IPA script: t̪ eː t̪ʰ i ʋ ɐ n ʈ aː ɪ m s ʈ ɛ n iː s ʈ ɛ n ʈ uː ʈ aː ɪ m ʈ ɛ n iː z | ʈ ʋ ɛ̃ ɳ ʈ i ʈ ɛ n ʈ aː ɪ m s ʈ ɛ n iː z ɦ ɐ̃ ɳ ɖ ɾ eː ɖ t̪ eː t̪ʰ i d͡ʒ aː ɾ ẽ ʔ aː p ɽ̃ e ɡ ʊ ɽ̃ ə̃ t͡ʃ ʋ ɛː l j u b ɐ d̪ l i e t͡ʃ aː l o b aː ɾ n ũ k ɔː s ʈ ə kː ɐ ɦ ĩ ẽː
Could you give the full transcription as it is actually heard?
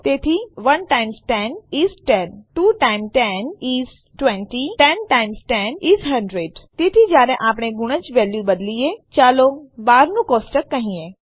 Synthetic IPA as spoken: t̪ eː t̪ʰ i ʋ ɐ n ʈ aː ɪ m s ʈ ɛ n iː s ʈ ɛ n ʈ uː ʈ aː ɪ m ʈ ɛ n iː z | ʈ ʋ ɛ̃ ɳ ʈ i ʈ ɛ n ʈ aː ɪ m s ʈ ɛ n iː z ɦ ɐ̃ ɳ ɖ ɾ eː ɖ t̪ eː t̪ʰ i d͡ʒ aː ɾ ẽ ʔ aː p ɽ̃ e ɡ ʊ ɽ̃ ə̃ t͡ʃ ʋ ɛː l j u b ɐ d̪ l i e t͡ʃ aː l o b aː ɾ n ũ k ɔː s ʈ ə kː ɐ ɦ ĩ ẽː